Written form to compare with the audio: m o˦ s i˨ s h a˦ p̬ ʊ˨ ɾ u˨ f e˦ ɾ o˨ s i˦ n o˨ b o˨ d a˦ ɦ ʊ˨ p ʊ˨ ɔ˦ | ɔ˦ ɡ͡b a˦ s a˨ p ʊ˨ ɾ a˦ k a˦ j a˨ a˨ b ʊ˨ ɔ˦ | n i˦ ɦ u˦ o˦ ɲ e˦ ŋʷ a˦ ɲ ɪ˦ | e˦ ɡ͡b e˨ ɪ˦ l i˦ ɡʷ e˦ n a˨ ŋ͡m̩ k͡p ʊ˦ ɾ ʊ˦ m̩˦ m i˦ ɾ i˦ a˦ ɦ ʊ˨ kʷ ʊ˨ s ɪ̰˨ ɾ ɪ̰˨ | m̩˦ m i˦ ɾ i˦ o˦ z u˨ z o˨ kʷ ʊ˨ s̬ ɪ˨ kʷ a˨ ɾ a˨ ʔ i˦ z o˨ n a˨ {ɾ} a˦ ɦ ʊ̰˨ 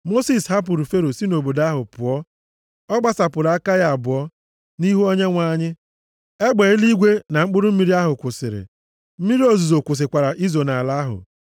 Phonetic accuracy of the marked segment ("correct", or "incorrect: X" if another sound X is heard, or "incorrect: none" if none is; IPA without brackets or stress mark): incorrect: l